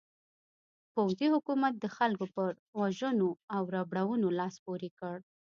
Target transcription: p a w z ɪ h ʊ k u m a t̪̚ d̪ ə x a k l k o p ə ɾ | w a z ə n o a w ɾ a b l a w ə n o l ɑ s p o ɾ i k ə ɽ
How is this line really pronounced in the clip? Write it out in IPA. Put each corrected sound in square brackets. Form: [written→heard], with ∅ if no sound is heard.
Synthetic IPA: p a w z [ɪ→i] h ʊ k u m a t̪̚ d̪ ə x a [k→∅] l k o p ə ɾ | w a [z→ʒ] ə n o a w ɾ a b [l→ɽ] a w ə n o l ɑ s p o ɾ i k ə ɽ